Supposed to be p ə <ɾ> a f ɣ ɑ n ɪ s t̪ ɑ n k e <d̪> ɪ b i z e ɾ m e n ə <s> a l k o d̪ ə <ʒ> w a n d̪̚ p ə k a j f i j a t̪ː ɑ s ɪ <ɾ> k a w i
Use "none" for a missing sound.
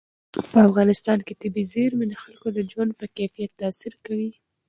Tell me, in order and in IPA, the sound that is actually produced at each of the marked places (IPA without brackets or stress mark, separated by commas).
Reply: none, t̪, x, d͡ʒ, ɾ